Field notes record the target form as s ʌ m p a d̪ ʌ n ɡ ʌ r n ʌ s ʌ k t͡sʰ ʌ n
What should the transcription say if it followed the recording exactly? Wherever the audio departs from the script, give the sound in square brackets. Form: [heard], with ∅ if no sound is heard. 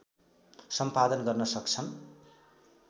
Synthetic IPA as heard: s ʌ m p a d̪ ʌ n ɡ ʌ r n ʌ s ʌ k t͡sʰ ʌ n